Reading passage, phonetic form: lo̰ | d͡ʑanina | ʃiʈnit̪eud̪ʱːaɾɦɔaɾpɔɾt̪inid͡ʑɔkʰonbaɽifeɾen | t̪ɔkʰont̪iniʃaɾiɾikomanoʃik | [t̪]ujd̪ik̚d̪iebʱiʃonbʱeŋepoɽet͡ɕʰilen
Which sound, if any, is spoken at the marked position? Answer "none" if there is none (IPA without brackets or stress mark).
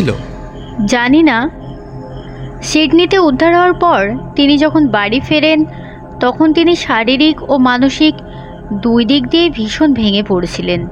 d̪